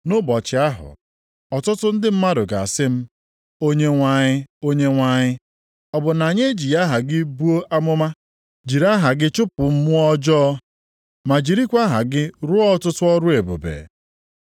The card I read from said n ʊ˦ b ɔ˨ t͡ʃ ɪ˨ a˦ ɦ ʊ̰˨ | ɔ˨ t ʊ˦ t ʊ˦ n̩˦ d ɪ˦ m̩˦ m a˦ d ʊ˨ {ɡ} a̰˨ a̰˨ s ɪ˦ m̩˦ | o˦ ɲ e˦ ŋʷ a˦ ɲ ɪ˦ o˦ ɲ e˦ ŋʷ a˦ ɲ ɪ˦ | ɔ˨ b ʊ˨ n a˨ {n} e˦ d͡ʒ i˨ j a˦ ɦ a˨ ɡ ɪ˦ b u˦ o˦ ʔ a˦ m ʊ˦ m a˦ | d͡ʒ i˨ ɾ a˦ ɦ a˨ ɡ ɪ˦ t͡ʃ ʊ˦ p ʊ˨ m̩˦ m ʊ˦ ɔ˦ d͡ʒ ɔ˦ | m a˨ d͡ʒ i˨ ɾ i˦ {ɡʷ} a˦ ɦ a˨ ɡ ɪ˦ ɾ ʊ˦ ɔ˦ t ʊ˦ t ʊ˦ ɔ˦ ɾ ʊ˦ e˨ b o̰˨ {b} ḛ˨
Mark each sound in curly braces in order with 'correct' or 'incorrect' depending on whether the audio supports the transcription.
correct, incorrect: ɲ, incorrect: kʷ, correct

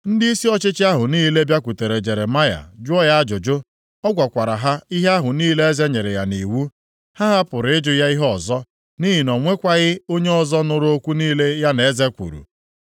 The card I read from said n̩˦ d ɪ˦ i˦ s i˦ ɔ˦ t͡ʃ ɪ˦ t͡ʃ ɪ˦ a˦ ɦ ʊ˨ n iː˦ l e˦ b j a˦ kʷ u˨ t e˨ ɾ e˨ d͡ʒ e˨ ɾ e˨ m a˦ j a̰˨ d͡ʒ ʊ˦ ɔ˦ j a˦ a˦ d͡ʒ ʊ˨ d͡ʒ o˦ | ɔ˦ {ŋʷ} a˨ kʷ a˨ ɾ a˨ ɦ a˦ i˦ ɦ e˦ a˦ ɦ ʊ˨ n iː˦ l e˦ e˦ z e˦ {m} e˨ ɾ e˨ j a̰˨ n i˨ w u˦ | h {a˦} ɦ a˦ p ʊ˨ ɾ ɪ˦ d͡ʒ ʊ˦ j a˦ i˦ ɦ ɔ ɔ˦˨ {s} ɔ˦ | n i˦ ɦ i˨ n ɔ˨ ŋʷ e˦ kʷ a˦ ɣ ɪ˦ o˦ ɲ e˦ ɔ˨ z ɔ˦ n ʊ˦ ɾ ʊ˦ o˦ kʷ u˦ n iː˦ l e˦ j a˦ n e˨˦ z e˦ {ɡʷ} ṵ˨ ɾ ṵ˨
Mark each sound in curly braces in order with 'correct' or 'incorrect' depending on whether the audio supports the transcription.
incorrect: ɡʷ, incorrect: ɲ, correct, incorrect: z, incorrect: kʷ

